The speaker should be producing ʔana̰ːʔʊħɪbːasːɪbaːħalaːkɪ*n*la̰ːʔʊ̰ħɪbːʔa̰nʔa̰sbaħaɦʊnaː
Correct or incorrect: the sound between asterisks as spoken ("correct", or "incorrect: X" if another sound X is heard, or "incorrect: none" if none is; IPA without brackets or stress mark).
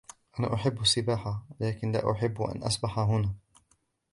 correct